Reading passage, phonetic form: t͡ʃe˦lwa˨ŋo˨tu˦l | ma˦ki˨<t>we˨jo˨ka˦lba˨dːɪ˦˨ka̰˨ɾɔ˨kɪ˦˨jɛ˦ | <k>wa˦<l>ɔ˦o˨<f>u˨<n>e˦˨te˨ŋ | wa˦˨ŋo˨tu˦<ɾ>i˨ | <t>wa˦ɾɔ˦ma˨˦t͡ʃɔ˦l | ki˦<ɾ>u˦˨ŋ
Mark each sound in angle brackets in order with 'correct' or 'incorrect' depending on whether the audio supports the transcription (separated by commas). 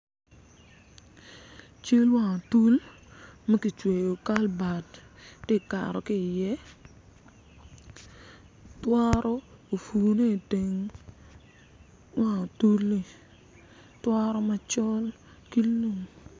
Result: incorrect, incorrect, incorrect, correct, correct, incorrect, correct, incorrect